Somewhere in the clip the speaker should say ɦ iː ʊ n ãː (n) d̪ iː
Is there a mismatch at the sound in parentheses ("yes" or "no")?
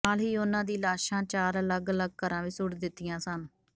yes